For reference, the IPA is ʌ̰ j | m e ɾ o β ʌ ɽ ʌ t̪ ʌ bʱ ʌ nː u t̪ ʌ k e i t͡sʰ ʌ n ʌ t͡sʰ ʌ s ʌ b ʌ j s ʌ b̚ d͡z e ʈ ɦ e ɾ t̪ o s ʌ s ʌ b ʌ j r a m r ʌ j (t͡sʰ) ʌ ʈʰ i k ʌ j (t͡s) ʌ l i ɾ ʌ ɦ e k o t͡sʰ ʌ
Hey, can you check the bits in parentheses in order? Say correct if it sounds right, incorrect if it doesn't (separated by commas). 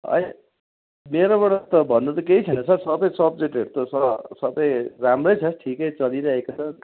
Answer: correct, correct